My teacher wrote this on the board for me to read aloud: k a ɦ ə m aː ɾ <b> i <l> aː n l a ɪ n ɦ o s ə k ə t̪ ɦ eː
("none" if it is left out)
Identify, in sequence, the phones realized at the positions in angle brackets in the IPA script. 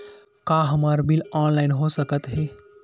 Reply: b, l

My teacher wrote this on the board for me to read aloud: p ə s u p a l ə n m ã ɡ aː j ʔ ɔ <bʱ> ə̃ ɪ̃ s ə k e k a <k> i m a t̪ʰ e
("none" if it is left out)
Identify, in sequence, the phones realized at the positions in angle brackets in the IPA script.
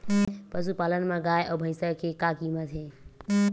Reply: bʱ, k

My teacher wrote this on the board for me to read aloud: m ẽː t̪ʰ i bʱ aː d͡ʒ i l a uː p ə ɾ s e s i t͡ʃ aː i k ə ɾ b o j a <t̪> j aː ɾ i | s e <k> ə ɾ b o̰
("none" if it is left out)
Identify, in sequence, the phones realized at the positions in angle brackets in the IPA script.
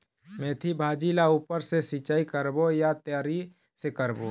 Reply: t̪, k

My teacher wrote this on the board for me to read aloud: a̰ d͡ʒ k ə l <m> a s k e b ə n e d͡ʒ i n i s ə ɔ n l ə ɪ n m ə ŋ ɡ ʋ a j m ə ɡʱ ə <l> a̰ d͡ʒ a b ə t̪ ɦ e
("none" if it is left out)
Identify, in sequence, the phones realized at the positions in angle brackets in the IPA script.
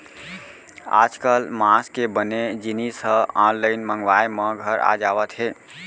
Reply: m, ɾ

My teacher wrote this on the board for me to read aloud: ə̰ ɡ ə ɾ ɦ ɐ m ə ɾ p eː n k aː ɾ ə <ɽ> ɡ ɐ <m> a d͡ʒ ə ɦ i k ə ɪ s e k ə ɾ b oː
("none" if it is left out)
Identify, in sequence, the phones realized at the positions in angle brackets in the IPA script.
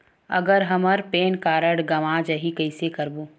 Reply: ɽ, m

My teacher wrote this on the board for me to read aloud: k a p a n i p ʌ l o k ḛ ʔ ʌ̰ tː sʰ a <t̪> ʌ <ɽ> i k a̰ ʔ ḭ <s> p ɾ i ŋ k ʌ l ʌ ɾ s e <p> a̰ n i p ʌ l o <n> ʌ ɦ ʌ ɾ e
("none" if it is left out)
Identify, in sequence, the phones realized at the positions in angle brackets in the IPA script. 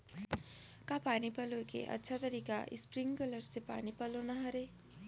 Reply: t̪, ɾ, s, p, n

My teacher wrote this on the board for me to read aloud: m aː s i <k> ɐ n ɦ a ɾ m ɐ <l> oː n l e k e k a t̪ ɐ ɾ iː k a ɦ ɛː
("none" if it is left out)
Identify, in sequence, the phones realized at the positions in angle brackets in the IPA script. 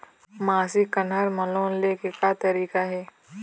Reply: k, l

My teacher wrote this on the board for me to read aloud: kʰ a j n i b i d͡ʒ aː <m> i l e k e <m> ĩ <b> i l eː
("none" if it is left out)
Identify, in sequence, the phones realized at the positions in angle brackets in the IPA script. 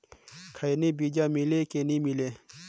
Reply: m, n, m

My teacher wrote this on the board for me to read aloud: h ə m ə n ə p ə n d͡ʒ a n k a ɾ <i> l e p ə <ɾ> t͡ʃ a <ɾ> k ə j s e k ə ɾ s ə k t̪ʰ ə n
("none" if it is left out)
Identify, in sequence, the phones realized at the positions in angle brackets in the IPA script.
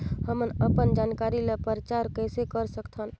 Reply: i, ɾ, ɾ

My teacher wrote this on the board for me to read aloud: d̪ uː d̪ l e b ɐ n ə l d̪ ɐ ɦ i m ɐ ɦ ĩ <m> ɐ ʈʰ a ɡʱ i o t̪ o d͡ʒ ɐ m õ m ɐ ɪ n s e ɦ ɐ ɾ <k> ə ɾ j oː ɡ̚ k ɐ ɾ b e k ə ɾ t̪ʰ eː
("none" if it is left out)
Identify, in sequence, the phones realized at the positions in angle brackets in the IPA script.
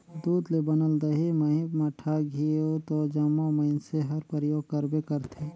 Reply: m, p

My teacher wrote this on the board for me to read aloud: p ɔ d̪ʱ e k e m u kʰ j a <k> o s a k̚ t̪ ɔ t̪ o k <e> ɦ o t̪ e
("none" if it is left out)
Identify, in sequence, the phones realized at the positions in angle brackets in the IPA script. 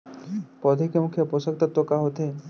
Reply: p, a

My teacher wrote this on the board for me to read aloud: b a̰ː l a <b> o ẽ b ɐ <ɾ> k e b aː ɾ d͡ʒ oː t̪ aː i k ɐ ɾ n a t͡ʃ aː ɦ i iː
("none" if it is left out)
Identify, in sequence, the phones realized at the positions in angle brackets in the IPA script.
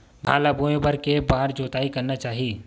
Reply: b, ɾ

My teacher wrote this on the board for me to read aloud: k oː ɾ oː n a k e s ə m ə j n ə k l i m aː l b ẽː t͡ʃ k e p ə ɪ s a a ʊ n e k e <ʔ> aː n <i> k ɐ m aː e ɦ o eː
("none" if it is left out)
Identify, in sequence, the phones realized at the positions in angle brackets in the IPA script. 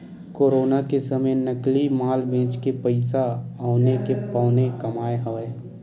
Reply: p, e

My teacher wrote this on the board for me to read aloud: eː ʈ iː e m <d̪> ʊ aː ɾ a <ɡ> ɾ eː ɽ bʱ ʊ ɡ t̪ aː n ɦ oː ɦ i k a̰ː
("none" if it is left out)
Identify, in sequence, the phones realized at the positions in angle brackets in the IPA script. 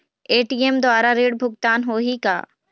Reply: d̪, none

